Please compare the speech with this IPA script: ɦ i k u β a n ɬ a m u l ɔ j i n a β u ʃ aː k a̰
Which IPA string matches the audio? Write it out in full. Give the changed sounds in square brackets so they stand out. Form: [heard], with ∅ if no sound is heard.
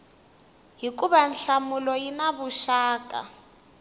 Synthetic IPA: ɦ i k u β a n ɬ a m u l ɔ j i n a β u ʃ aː k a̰